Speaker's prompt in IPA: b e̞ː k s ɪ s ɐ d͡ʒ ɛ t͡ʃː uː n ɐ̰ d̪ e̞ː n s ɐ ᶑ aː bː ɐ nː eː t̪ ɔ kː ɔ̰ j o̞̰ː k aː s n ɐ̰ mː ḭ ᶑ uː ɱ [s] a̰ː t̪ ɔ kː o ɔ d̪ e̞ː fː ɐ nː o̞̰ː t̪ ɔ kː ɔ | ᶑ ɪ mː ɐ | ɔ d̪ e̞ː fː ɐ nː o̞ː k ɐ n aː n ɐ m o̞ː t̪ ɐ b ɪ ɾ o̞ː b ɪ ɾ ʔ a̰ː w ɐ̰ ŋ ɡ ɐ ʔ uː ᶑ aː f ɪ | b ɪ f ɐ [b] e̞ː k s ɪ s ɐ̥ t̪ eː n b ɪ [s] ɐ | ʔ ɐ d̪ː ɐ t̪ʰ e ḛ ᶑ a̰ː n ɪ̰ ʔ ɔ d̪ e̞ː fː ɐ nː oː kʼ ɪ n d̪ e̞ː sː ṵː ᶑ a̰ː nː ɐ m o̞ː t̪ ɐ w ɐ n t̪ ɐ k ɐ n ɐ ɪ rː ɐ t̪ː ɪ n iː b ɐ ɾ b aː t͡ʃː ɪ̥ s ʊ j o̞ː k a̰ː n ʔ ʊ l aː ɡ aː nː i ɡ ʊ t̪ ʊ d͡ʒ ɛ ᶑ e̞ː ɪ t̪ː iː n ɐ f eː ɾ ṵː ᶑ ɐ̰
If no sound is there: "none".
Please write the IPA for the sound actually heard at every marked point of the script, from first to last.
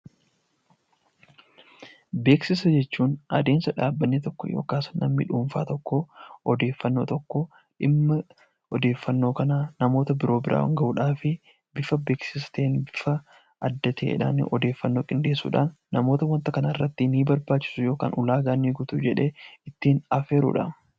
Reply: f, b, f

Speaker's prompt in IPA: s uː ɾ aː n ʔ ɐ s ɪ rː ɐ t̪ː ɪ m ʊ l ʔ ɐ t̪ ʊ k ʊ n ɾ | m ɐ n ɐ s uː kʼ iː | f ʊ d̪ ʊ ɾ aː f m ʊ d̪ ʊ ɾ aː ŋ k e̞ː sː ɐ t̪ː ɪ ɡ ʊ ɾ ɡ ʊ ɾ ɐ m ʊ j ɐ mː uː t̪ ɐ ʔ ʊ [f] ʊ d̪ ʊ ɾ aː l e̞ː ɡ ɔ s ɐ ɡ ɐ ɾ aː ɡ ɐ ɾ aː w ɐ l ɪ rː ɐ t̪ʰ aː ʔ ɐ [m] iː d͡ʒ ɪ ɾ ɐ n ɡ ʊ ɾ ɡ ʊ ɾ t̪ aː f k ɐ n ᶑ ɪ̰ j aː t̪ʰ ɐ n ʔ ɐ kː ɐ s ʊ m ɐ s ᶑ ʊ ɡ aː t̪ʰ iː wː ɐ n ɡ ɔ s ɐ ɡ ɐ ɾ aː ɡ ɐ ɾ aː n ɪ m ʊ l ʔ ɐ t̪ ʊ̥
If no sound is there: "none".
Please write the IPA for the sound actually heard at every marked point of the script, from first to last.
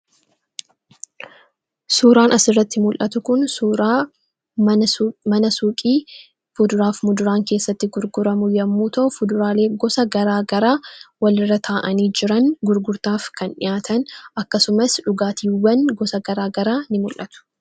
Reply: f, n

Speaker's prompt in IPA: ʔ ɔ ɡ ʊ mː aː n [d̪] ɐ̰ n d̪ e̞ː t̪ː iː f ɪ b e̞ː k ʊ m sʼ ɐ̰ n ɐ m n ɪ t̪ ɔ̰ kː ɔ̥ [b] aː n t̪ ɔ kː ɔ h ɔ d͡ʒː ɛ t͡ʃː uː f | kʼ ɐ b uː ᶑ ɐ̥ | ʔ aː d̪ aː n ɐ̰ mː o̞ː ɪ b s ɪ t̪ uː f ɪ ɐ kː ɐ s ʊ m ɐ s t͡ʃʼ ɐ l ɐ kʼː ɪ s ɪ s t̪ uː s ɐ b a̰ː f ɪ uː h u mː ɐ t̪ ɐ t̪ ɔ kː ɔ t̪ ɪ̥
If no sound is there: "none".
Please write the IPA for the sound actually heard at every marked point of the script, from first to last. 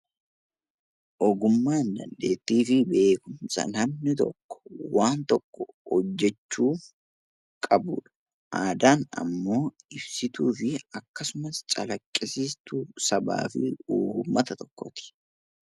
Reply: d̪, w

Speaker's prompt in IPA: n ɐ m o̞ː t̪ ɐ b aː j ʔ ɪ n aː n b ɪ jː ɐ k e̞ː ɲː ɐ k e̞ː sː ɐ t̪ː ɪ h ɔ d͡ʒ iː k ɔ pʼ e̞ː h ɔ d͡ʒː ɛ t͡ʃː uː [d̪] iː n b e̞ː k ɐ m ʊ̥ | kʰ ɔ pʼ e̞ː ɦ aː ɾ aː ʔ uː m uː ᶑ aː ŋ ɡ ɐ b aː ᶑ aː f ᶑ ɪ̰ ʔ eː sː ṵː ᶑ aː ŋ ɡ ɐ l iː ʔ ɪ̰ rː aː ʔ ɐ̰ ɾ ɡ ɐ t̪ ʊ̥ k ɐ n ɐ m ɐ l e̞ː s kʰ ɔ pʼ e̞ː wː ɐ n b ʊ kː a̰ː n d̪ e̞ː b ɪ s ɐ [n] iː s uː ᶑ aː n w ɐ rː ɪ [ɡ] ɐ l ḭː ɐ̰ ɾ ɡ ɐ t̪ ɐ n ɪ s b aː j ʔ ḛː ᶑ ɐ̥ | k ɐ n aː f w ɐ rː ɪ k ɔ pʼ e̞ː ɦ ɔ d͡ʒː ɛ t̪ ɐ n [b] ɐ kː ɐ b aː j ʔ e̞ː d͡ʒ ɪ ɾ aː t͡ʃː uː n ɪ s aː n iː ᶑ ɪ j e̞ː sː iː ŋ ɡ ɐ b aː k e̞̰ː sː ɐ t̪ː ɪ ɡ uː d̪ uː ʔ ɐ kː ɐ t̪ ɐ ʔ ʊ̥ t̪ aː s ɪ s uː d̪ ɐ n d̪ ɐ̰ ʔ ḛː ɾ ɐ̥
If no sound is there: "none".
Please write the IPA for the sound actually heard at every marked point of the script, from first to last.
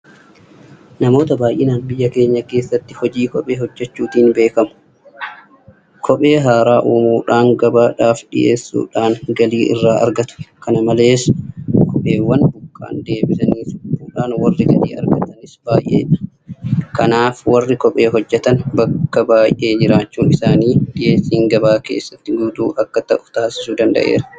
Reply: t̪, n, ɡ, b

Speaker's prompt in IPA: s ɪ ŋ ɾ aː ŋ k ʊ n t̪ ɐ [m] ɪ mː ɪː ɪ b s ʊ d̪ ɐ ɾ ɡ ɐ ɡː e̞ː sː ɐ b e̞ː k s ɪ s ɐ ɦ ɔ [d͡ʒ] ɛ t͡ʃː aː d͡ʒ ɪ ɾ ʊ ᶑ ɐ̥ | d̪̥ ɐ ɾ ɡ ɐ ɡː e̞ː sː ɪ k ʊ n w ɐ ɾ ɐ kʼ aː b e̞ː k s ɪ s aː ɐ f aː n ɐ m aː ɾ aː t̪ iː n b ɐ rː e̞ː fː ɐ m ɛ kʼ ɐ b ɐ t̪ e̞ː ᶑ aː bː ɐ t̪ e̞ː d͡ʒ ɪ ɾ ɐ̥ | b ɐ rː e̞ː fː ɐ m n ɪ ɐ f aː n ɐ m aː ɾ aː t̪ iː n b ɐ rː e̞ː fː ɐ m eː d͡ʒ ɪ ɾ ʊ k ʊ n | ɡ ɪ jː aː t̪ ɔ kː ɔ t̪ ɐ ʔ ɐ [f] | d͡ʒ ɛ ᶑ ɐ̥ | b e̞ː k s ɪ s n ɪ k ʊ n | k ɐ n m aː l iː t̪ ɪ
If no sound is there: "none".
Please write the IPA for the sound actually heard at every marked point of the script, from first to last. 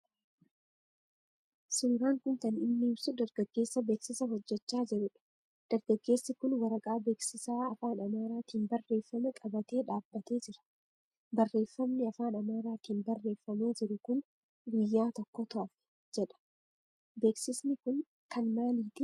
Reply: n, d͡ʒː, f

